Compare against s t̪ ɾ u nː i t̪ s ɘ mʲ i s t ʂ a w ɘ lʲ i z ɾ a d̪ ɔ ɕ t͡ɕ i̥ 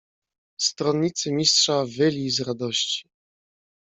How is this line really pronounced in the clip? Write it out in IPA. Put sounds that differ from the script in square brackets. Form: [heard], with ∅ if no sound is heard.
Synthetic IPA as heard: s t̪ ɾ [ɔ] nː i t̪ s ɘ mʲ i s t ʂ a [v] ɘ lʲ i z ɾ a d̪ ɔ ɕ t͡ɕ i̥